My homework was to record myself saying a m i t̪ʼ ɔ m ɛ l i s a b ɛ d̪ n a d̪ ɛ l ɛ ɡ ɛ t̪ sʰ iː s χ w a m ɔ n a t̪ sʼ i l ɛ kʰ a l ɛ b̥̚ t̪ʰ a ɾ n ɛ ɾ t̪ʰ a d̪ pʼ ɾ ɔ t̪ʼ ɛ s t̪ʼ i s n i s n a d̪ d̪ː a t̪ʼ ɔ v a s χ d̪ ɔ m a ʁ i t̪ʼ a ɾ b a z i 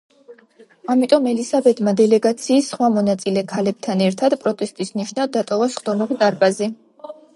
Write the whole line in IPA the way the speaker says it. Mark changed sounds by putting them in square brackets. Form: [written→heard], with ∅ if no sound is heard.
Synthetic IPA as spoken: a m i t̪ʼ ɔ m ɛ l i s a b ɛ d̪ [n→m] a d̪ ɛ l ɛ ɡ [ɛ→a] t̪ sʰ iː s χ w a m ɔ n a t̪ sʼ i l ɛ kʰ a l ɛ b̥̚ t̪ʰ a [ɾ→∅] n ɛ ɾ t̪ʰ a d̪ pʼ ɾ ɔ t̪ʼ ɛ s t̪ʼ i s n i [s→ʃ] n a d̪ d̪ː a t̪ʼ ɔ v a s χ d̪ ɔ m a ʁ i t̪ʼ a ɾ b a z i